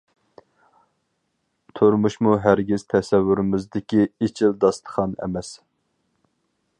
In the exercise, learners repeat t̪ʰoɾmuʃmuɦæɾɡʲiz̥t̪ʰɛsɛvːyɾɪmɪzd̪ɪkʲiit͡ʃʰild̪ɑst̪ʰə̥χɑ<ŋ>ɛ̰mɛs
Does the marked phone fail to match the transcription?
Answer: yes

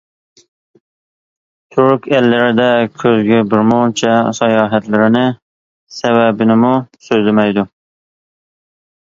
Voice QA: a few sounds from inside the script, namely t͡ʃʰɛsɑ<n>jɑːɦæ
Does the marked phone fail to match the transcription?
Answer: yes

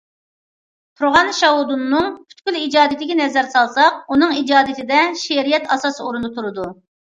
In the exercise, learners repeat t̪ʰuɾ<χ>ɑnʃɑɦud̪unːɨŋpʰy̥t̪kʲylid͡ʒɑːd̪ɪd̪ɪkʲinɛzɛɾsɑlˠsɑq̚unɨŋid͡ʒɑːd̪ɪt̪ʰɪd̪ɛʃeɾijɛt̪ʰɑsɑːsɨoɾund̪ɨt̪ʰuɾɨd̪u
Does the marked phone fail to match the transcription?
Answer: yes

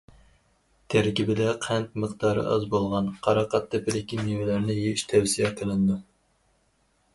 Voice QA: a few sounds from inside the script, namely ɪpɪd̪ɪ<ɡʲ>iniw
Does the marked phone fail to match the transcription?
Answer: yes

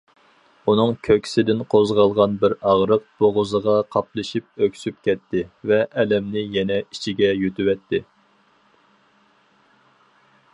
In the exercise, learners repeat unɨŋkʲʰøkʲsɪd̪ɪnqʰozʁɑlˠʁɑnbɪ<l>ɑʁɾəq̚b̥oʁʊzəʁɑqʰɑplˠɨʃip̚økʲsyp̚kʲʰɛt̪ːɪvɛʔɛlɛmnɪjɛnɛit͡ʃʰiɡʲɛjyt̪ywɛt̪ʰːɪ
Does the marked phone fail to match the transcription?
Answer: yes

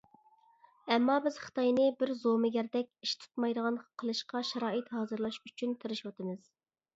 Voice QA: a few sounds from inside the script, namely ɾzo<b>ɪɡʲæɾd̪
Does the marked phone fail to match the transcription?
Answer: yes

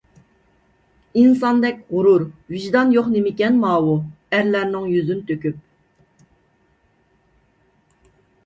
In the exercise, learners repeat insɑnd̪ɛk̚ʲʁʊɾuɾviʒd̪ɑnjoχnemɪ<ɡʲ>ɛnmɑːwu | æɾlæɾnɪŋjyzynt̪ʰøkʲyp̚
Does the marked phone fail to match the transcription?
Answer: yes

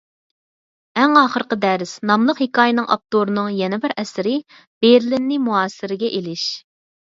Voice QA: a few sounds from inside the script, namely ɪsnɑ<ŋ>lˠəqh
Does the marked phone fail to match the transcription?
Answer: yes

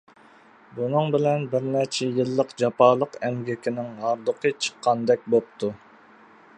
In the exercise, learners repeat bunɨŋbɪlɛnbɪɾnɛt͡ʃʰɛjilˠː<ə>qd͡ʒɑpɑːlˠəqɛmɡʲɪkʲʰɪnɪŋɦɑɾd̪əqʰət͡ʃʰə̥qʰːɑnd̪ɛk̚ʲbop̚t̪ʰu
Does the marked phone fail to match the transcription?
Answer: no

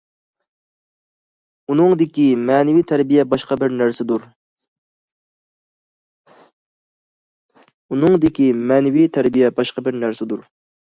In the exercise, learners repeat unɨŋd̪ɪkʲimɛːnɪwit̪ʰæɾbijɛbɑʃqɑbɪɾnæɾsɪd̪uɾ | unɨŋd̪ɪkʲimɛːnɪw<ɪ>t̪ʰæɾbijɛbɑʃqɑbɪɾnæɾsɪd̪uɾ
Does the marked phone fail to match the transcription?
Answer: yes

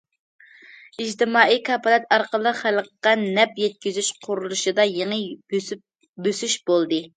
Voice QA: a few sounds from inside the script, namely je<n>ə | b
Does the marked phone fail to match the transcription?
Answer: yes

